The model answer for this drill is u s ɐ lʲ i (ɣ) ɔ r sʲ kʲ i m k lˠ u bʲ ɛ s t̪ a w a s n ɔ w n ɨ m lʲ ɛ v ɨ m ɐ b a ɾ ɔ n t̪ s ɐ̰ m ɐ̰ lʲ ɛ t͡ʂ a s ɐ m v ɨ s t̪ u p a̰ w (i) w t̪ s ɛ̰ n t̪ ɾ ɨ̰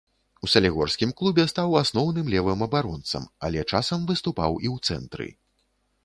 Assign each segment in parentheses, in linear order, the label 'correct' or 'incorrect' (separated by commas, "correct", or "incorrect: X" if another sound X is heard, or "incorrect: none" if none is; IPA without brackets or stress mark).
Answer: correct, correct